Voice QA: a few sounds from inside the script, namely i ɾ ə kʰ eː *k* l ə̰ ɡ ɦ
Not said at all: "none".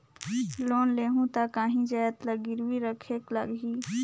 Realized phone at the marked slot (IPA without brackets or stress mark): k